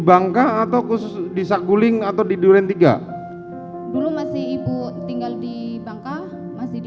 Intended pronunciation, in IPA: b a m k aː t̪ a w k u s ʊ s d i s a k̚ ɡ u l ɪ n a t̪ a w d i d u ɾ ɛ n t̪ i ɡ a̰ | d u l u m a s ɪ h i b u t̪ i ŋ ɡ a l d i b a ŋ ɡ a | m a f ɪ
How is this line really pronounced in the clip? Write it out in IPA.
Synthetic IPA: b a ŋ k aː t̪ a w k u s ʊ s d i s a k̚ ɡ u l ɪ ŋ a t̪ a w d i d u ɾ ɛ n t̪ i ɡ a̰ | d u l u m a s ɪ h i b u t̪ i ŋ ɡ a l d i b a ŋ k a | m a s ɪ